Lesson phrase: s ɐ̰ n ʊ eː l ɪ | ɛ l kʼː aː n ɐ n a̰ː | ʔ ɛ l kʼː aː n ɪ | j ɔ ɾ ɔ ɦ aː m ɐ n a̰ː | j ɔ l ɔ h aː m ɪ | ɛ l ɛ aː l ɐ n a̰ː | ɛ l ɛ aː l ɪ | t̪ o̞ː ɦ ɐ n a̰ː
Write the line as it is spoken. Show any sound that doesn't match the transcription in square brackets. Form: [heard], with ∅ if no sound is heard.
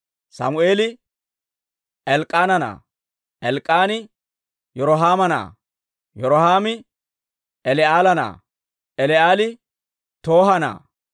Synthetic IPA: s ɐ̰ [m] ʊ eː l ɪ | ɛ l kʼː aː n ɐ n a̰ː | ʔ ɛ l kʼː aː n ɪ | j ɔ ɾ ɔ ɦ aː m ɐ n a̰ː | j ɔ [ɾ] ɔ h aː m ɪ | ɛ l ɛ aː l ɐ n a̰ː | ɛ l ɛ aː l ɪ | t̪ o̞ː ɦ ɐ n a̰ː